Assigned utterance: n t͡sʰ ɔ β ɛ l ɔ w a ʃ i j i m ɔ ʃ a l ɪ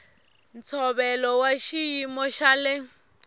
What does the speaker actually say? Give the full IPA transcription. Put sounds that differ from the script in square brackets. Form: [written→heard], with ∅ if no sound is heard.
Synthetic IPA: n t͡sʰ ɔ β ɛ l ɔ w a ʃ i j i m ɔ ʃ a l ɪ